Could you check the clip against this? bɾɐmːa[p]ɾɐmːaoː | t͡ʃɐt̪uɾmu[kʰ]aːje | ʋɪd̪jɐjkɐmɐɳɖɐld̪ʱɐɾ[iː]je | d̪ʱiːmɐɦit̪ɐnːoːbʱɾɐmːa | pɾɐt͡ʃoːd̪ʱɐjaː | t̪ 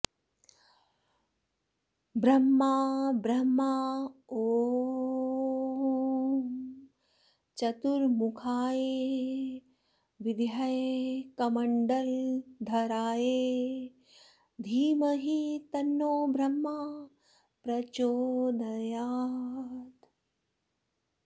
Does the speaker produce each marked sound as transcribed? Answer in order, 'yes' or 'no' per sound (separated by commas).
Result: no, yes, no